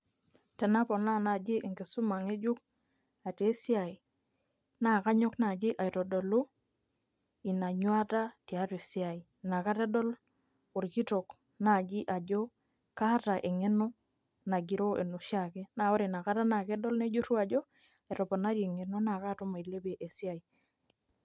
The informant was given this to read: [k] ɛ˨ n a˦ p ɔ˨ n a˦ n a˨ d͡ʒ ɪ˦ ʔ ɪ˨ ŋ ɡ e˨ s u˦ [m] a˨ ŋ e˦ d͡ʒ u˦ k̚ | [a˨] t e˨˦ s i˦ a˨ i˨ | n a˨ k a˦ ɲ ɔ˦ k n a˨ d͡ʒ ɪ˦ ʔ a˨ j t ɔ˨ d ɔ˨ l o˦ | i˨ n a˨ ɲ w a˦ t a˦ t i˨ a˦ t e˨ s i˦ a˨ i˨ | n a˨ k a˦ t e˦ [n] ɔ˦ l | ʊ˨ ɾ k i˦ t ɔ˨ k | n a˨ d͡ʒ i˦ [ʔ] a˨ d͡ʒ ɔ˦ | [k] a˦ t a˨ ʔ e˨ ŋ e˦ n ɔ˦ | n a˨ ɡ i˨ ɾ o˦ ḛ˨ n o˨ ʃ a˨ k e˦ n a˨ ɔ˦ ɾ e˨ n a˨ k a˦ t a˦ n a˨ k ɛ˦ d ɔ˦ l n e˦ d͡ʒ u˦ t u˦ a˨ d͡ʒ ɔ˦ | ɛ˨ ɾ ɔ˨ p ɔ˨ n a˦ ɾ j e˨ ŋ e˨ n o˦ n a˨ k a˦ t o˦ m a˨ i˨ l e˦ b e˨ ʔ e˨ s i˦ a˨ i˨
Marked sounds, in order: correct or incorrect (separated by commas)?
incorrect, correct, correct, incorrect, correct, correct